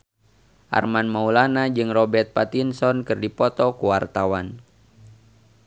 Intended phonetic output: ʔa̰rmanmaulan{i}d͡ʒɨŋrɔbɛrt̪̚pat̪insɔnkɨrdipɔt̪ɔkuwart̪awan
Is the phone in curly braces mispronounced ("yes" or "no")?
yes